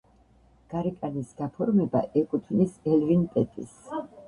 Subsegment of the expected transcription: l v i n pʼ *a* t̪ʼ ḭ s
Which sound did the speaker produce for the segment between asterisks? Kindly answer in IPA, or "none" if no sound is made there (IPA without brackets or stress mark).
ɛ